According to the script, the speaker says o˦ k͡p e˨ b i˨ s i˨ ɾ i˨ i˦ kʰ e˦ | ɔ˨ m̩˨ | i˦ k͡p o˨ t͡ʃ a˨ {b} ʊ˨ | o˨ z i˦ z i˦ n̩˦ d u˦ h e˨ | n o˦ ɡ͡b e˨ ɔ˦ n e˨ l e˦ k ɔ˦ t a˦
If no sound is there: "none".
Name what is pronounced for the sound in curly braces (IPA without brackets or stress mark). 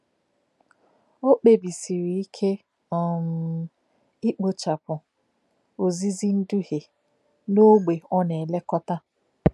p